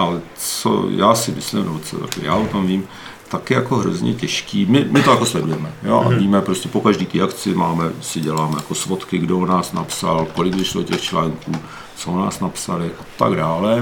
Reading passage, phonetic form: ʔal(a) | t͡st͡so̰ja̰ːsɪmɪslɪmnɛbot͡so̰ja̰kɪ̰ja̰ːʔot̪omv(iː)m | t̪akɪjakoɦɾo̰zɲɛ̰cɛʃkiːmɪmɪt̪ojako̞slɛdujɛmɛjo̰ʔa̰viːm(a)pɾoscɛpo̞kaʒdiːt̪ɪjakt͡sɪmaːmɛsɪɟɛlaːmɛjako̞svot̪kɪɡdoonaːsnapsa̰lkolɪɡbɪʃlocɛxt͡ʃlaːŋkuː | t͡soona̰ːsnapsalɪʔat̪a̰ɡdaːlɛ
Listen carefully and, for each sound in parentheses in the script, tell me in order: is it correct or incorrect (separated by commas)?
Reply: incorrect, correct, incorrect